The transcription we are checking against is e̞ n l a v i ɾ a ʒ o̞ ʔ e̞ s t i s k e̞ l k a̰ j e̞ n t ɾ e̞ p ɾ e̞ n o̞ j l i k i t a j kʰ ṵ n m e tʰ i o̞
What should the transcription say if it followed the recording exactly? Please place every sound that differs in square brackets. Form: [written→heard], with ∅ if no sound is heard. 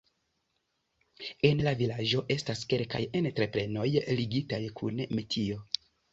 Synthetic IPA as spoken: e̞ n l a v i [ɾ→l] a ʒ o̞ ʔ e̞ s t [i→a] s k e̞ l k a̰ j e̞ n t ɾ e̞ p ɾ e̞ n o̞ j l i [k→ɡ] i t a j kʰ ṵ n m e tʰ i o̞